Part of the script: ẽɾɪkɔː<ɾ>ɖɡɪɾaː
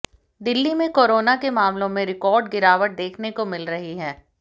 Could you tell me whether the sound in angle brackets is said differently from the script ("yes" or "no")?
no